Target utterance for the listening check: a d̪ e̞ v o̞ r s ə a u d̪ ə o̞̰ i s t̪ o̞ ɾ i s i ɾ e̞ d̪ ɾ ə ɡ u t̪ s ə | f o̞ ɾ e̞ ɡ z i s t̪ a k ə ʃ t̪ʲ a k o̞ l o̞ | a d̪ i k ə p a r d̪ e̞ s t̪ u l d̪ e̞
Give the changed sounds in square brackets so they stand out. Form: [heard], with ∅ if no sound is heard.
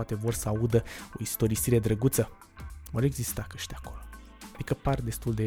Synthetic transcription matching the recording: a [t̪] e̞ v o̞ r s ə a u d̪ ə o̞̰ i s t̪ o̞ ɾ i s i ɾ e̞ d̪ ɾ ə ɡ u t̪ s ə | [v] o̞ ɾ e̞ ɡ z i s t̪ a k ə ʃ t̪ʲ a k o̞ l o̞ | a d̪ i k ə p a r d̪ e̞ s t̪ u l d̪ e̞